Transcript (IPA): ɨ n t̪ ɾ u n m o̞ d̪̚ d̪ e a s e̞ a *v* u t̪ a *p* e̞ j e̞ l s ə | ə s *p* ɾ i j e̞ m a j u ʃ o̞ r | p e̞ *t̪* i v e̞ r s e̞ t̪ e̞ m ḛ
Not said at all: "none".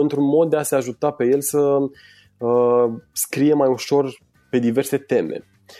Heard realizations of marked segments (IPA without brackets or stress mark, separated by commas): ʒ, p, k, d̪